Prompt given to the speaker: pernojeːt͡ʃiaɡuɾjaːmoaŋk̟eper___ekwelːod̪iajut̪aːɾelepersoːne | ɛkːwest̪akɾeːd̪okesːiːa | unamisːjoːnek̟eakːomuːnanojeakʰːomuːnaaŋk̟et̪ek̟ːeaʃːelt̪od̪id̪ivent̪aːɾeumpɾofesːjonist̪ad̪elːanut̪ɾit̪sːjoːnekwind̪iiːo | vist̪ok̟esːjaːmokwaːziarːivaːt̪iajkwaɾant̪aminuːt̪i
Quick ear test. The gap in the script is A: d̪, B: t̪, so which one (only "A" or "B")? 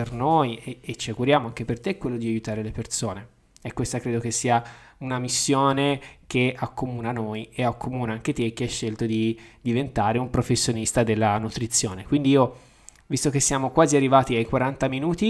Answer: B